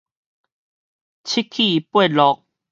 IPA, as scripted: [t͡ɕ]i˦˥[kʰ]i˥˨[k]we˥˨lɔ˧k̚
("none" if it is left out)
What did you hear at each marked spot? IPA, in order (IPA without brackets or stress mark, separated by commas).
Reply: t͡ɕʰ, kʰ, p